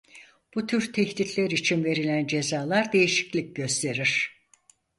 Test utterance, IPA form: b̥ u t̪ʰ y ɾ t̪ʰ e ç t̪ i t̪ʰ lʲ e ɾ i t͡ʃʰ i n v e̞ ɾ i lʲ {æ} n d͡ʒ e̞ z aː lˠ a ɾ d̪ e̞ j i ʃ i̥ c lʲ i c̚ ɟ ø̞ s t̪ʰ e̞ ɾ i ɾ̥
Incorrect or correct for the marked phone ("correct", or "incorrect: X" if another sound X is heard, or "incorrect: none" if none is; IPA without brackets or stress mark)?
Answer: correct